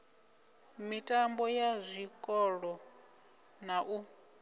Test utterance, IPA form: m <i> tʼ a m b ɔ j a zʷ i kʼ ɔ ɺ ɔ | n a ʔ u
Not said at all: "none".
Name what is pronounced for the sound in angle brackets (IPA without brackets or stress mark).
i